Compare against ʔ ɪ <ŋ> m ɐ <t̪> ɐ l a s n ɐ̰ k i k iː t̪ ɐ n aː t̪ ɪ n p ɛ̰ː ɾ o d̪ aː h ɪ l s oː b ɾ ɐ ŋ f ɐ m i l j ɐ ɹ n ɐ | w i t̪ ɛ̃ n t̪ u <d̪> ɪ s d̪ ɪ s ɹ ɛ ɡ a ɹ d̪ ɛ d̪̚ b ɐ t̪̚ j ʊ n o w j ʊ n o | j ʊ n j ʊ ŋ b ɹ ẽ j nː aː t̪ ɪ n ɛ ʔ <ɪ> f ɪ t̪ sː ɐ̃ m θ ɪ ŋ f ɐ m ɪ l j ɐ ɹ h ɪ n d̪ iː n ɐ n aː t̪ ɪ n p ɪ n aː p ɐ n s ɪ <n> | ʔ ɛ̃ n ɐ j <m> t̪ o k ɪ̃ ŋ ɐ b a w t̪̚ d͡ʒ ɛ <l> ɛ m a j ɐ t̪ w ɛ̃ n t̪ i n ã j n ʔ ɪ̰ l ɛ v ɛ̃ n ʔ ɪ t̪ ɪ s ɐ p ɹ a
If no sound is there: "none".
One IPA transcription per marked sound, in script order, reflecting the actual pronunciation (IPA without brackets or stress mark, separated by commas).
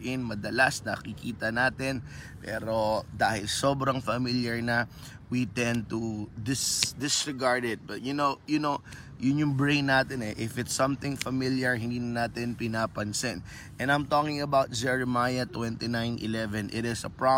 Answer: n, d̪, d̪, ɪ, n, m, ɹ